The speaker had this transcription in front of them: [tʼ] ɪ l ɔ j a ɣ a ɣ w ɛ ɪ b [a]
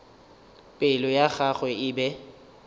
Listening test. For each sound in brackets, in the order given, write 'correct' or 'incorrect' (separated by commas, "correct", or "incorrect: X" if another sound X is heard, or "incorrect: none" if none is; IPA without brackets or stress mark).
incorrect: pʼ, incorrect: ɛ